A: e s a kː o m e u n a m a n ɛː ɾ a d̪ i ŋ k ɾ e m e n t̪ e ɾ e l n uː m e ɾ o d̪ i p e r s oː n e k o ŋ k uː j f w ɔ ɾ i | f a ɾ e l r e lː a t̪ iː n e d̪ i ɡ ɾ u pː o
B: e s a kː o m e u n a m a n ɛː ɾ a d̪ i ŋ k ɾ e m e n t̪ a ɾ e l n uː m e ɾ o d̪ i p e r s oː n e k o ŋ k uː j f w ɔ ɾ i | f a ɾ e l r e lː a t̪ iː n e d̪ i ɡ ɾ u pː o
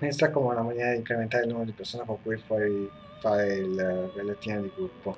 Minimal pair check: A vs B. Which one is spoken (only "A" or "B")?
B